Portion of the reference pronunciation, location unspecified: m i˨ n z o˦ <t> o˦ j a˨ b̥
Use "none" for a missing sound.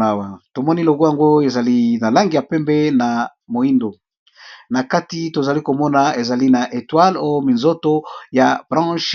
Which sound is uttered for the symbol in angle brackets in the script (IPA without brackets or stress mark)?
t